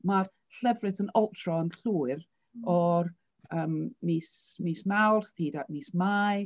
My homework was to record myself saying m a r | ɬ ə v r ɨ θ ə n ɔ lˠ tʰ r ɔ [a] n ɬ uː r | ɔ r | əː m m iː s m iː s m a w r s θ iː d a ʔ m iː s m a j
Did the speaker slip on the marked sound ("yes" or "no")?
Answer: yes